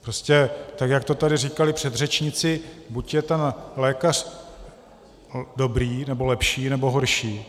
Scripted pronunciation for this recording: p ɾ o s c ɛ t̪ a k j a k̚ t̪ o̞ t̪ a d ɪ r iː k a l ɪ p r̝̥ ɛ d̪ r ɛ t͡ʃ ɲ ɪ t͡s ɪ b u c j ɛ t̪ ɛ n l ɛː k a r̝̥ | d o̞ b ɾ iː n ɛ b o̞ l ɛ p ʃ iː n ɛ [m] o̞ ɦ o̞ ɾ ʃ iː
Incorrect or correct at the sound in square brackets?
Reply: incorrect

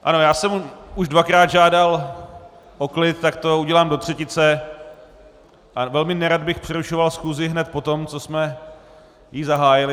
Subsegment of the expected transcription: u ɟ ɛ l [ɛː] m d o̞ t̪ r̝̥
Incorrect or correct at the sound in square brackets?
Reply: incorrect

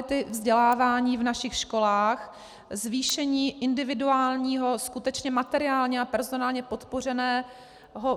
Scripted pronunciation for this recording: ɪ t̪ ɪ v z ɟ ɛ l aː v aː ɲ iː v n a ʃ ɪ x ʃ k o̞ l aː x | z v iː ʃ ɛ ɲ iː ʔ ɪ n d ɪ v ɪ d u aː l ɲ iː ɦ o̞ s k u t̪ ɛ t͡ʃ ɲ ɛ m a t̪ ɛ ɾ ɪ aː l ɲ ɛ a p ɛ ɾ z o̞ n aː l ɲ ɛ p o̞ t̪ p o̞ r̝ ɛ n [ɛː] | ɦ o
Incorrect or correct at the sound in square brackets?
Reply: correct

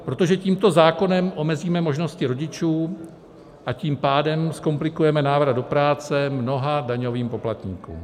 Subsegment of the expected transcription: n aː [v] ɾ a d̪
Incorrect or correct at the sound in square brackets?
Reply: correct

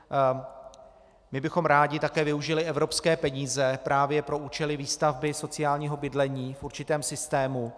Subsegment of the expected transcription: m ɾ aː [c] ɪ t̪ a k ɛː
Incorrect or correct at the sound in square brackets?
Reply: incorrect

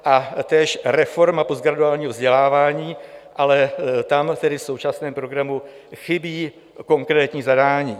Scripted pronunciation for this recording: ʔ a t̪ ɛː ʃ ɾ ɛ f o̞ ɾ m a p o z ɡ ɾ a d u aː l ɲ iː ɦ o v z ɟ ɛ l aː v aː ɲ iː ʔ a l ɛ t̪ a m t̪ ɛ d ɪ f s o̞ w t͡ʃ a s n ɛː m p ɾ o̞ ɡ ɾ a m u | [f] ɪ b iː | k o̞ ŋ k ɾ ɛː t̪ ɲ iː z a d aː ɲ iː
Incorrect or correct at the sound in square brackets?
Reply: incorrect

